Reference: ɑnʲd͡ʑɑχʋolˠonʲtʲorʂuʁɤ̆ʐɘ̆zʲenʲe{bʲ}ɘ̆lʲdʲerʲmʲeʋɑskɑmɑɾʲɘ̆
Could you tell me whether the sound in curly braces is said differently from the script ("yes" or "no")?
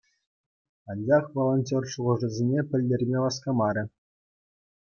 yes